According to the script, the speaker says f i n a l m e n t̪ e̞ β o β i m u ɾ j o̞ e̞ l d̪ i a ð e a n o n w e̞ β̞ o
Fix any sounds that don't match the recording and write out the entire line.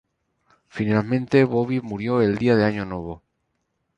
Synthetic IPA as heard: f i n a l m ẽ n t̪ e̞ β o β i m u ɾ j o̞ e̞ l d̪ i a ð e a ɲ o n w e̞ β̞ o